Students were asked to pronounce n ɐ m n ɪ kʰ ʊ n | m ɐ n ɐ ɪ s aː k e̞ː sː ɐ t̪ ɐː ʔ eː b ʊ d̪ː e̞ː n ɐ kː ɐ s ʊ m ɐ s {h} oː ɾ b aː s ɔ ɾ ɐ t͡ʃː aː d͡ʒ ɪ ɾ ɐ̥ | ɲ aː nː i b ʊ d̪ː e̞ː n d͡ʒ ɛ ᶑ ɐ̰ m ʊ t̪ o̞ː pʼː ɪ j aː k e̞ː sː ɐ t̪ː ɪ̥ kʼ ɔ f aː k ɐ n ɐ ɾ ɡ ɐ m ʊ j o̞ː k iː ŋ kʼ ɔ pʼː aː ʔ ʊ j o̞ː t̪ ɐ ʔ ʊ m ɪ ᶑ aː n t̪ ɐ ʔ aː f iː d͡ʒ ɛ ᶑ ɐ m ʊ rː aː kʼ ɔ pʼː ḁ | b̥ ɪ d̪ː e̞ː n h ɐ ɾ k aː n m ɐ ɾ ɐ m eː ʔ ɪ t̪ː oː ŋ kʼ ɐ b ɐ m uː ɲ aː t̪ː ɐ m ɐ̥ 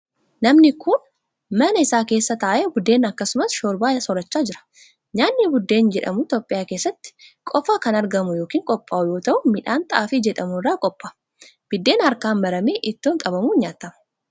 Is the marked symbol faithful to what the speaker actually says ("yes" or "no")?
no